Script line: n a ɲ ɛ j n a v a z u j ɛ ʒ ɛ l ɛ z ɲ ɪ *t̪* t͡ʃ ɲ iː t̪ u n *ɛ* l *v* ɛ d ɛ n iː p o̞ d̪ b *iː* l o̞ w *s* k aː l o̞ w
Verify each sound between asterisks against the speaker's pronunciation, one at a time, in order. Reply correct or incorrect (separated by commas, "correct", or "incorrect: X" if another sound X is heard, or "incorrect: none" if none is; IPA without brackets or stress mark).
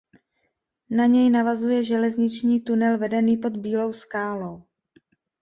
incorrect: none, correct, correct, correct, correct